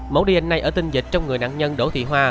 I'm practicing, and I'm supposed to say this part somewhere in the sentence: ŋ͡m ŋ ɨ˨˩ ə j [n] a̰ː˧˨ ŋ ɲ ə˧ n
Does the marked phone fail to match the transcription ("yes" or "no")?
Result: no